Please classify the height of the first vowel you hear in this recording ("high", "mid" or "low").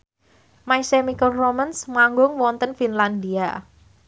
low